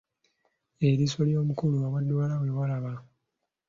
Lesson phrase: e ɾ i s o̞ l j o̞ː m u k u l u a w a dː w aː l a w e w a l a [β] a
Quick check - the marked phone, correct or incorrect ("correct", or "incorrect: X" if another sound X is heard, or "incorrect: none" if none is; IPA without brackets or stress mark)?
correct